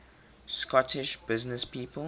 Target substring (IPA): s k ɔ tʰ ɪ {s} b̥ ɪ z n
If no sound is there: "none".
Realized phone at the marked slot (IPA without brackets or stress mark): ʃ